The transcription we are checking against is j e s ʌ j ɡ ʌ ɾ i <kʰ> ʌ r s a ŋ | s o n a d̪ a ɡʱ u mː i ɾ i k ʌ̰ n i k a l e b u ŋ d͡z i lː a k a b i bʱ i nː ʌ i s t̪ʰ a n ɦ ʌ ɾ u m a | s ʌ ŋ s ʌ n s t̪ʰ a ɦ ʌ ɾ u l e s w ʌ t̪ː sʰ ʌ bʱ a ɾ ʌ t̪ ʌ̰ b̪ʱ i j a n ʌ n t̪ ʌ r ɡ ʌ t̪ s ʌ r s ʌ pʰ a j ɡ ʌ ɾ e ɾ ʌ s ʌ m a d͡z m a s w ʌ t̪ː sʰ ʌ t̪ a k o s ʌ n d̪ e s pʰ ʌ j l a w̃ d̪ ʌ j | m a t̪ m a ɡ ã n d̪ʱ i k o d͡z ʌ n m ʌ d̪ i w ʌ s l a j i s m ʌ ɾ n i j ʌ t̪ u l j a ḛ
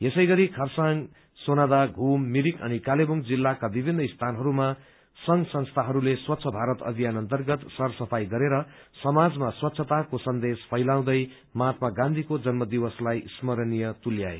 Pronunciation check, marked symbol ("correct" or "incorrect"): correct